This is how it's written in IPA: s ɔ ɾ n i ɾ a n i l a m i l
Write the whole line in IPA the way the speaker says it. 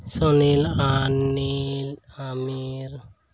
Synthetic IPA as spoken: s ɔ n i l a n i l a m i ɾ